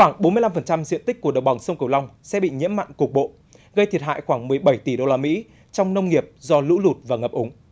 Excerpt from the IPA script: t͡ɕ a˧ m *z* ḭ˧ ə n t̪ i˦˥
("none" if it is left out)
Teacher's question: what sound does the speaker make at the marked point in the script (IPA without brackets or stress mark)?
z